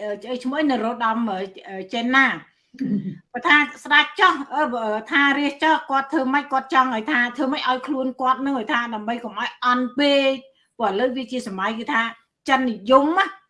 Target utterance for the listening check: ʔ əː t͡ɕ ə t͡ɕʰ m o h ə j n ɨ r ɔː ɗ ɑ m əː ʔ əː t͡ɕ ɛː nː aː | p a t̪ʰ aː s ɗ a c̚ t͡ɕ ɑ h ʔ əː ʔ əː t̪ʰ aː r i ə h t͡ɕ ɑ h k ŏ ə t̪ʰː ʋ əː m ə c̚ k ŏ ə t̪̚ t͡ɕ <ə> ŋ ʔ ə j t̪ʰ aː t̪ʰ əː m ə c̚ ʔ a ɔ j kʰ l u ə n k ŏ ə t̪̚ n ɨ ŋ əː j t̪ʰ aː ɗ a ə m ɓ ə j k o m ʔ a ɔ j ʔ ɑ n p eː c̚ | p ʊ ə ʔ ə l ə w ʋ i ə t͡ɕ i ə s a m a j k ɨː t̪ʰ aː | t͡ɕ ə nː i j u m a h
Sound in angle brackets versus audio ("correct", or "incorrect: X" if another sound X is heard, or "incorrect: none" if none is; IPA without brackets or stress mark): incorrect: ɑ